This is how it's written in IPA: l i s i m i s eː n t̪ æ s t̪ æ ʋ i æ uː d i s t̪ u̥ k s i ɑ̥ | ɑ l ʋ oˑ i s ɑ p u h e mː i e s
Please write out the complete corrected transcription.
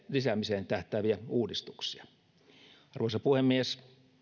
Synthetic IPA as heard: l i s æ m i s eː n t̪ æ h t̪ æ ʋ i æ uː d i s t̪ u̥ k s i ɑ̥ | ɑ r ʋ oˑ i s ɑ p u h e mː i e s